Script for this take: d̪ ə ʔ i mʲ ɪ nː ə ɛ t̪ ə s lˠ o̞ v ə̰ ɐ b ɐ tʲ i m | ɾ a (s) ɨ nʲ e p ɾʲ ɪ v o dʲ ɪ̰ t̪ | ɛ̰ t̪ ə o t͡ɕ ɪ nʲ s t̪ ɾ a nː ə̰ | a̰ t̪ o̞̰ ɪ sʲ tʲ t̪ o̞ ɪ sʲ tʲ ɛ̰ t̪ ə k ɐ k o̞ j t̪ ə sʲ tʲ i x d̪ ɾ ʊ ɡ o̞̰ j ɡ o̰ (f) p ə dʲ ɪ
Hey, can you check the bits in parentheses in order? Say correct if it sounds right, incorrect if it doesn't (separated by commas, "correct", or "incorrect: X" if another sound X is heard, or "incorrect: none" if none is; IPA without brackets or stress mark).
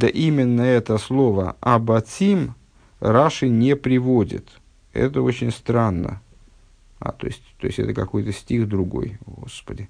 incorrect: ʂ, incorrect: s